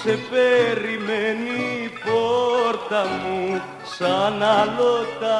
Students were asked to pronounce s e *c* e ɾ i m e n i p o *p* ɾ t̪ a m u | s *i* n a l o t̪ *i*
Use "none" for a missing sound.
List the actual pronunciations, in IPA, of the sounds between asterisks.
p, none, a, a

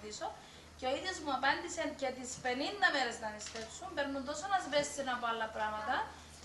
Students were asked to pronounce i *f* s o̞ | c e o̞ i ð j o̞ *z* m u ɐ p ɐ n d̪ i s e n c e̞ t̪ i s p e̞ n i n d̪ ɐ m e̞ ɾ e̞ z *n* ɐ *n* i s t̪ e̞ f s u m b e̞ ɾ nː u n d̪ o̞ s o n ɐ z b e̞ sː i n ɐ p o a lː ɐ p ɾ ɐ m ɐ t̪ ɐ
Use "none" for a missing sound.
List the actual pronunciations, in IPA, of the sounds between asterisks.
none, z, n, n

